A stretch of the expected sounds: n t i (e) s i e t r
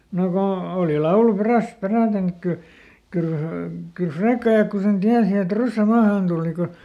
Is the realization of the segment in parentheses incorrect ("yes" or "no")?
yes